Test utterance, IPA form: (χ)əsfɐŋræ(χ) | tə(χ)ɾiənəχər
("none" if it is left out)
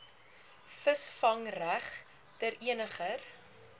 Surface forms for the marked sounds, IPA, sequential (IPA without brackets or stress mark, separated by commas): f, χ, none